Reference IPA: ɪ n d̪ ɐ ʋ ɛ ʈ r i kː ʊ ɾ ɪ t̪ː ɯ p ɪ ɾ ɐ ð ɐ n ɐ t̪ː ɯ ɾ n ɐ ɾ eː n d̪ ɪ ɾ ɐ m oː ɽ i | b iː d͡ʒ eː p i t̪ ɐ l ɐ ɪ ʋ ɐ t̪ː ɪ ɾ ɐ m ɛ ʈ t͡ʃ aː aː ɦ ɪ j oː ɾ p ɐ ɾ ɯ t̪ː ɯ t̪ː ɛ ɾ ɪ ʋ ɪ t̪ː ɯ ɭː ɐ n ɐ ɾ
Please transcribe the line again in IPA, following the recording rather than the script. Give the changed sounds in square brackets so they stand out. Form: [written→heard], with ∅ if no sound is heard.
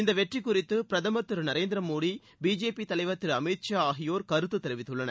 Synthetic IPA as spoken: ɪ n d̪ ɐ ʋ ɛ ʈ r i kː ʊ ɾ ɪ t̪ː ɯ p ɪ ɾ ɐ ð ɐ [n→m] ɐ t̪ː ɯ ɾ n ɐ ɾ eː n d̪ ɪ ɾ ɐ m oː ɽ i | b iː d͡ʒ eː p i t̪ ɐ l ɐ ɪ ʋ ɐ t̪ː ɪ ɾ ɐ m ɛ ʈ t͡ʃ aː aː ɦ ɪ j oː ɾ [p→k] ɐ ɾ ɯ t̪ː ɯ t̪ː ɛ ɾ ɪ ʋ ɪ t̪ː ɯ ɭː ɐ n ɐ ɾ